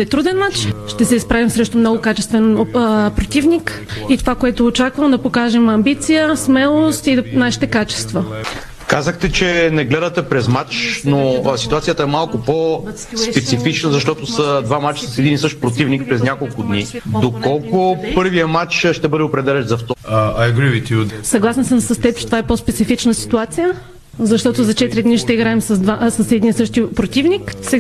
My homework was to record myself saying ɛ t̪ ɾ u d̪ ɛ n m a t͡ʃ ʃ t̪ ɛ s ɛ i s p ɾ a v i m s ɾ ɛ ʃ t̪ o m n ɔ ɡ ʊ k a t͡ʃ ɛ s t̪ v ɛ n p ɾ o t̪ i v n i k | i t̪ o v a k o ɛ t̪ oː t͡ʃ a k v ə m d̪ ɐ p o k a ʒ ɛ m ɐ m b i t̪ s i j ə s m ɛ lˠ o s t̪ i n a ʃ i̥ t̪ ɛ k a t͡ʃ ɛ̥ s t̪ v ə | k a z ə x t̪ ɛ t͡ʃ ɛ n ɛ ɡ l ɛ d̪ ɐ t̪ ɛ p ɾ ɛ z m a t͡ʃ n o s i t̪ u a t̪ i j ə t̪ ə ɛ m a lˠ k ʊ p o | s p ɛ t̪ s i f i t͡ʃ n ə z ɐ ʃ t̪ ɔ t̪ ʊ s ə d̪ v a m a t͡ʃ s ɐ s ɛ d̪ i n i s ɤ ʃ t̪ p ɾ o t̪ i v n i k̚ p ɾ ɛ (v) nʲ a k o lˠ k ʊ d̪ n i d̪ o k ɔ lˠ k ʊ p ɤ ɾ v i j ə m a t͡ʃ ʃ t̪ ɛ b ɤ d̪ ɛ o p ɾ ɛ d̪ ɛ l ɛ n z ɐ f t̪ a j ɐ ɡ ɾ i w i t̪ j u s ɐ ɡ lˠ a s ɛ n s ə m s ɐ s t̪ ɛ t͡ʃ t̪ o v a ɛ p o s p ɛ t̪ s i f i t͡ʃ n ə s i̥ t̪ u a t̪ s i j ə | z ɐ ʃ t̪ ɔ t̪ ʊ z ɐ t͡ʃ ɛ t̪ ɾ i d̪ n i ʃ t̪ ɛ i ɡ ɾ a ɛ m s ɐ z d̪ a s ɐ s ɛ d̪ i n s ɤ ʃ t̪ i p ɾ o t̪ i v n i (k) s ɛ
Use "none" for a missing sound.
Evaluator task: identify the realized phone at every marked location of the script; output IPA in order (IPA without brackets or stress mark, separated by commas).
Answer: z, k